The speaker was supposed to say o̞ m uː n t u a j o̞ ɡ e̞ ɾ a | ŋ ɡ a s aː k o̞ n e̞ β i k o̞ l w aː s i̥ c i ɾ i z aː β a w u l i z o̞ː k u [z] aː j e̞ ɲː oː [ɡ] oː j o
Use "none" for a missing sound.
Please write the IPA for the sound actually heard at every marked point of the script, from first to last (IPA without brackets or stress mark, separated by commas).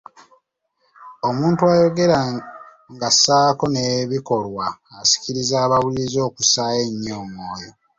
s, ŋ